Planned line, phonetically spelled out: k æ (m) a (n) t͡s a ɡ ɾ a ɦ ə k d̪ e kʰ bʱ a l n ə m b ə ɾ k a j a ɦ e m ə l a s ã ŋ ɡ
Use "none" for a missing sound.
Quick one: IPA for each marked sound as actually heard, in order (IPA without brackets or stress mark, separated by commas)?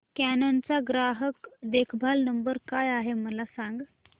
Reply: n, n